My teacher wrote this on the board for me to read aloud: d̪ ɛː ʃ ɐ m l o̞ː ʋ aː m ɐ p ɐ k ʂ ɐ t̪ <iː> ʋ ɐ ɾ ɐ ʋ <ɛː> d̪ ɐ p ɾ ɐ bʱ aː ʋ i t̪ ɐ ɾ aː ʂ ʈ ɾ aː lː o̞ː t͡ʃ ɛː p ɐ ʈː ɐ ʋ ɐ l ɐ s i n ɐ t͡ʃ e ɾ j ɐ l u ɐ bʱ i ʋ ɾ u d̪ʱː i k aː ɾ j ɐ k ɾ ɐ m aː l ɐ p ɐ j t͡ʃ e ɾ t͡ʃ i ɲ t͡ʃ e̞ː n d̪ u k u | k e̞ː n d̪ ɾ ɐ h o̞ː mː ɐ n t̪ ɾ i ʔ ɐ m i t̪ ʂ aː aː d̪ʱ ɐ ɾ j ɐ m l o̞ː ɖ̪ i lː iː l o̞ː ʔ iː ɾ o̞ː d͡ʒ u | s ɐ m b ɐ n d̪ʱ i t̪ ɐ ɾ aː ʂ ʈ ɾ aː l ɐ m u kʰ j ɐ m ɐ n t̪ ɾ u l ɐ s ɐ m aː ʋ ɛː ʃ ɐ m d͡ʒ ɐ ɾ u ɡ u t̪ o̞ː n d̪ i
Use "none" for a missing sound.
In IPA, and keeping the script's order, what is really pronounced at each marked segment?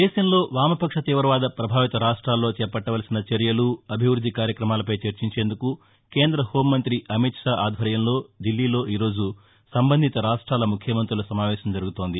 iː, aː

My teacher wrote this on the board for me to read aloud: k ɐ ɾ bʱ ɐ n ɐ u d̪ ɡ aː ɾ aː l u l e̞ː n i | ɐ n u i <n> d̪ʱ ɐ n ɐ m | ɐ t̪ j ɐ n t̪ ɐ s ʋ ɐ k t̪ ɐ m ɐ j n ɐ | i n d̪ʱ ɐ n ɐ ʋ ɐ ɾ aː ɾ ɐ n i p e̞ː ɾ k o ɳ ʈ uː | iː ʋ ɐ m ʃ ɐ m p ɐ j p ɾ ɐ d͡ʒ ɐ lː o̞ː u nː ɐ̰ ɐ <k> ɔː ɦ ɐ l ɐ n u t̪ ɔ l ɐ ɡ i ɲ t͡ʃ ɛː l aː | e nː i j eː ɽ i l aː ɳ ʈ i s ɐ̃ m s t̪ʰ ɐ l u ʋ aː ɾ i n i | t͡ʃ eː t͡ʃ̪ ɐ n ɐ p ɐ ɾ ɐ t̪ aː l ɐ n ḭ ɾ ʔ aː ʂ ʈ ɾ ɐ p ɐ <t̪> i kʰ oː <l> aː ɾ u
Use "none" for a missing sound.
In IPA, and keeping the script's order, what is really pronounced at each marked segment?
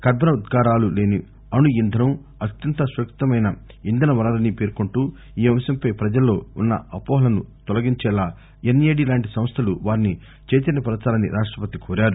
n, p, t̪, ɾ

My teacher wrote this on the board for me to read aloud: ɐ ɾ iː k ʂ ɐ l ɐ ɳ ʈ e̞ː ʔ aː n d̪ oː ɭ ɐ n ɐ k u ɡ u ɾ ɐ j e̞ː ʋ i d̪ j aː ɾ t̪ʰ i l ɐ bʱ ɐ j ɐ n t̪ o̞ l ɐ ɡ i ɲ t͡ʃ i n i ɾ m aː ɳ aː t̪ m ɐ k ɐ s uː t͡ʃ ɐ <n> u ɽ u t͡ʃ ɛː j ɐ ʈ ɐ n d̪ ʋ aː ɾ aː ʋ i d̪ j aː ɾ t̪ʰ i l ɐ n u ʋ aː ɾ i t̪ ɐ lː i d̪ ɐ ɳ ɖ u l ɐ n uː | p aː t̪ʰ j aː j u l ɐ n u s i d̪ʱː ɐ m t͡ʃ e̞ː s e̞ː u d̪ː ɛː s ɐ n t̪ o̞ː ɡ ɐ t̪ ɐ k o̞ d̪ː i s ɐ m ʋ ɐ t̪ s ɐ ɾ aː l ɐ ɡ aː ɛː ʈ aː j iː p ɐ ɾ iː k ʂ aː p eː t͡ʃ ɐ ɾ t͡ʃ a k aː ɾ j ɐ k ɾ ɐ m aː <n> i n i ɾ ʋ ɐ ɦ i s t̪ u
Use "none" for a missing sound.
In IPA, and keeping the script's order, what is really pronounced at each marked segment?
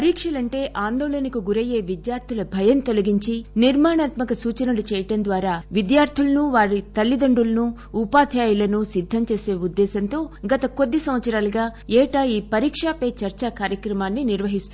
n, nː

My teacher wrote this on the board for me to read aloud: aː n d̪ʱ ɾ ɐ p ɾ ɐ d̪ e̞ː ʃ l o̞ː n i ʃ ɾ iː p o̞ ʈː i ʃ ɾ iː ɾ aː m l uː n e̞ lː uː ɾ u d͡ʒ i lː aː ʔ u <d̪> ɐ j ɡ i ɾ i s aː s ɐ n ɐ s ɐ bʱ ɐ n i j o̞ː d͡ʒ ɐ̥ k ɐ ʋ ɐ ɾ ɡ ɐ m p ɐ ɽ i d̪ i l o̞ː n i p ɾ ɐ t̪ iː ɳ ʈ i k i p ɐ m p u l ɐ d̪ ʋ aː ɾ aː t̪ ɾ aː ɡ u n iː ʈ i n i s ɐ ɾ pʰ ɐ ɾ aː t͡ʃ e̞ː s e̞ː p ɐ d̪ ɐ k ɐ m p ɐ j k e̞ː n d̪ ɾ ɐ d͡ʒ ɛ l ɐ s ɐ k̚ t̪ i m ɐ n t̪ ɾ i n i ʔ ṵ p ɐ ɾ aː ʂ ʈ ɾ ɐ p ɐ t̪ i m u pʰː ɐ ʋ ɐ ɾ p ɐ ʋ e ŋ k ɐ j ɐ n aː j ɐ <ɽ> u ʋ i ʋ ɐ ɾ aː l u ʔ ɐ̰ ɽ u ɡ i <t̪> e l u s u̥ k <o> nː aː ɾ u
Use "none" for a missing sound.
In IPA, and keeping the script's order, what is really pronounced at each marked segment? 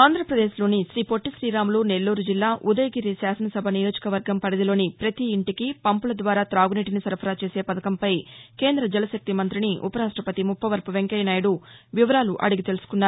d̪, ɽ, t̪, u

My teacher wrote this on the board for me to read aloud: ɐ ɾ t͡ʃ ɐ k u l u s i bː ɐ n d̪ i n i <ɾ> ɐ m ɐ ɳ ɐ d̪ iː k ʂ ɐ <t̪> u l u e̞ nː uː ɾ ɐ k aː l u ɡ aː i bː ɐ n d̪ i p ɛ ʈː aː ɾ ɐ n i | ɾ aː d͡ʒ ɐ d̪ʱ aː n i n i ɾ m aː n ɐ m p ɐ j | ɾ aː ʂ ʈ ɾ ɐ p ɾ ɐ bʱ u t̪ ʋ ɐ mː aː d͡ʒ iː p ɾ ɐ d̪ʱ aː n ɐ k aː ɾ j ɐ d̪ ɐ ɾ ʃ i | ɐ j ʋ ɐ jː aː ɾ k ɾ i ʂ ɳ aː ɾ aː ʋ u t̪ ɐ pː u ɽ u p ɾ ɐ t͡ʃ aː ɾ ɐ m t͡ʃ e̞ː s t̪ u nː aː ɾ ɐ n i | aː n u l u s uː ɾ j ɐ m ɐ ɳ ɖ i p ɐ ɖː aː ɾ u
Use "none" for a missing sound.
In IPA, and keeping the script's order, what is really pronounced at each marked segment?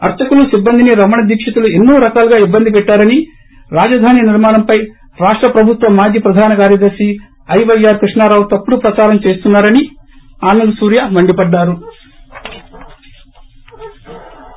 ɾ, t̪

